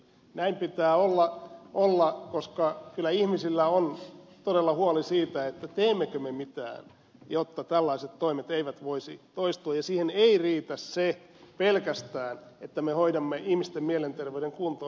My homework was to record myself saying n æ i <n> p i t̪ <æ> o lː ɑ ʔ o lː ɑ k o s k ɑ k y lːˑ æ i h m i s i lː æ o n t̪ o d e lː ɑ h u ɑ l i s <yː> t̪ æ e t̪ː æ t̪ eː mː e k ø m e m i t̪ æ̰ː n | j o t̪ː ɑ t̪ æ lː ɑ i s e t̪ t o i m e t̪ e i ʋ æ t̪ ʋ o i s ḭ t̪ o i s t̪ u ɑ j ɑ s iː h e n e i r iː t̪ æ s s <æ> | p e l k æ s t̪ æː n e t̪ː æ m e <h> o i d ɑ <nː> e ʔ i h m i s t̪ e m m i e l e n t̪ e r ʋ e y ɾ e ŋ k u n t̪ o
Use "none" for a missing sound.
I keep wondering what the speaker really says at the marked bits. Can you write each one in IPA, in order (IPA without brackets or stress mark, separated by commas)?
m, æː, iː, e, h, mː